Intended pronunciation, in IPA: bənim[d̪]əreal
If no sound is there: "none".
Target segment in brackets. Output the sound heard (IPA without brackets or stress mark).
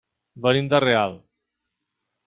d̪